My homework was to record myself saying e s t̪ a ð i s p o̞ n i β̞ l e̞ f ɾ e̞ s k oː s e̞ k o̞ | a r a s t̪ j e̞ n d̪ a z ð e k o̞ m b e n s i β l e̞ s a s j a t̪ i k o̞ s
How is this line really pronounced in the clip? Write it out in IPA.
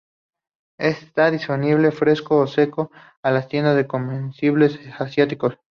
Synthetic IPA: e s t̪ a ð i s p o̞ n i β̞ l e̞ f ɾ e̞ s k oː s e̞ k o̞ | a l a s t̪ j e̞ n d̪ a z ð e k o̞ m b e n s i β l e̞ s a s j a t̪ i k o̞ s